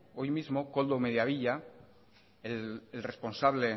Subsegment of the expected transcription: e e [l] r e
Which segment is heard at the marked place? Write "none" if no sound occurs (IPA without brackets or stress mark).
l